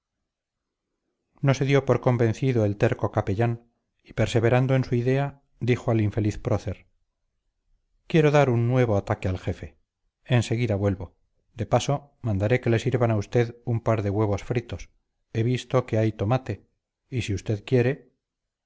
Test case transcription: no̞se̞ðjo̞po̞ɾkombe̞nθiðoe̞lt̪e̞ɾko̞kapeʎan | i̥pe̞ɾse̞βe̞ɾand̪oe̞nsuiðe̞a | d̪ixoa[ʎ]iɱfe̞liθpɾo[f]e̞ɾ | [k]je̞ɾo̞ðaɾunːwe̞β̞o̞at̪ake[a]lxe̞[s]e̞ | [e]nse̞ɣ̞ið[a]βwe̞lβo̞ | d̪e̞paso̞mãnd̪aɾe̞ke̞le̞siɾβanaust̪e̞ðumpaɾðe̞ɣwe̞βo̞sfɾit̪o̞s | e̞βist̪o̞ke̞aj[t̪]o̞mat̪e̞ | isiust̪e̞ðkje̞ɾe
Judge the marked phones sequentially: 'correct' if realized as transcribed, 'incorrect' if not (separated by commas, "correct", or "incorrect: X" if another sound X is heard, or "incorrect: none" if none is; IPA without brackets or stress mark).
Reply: incorrect: l, incorrect: θ, correct, correct, incorrect: f, correct, correct, correct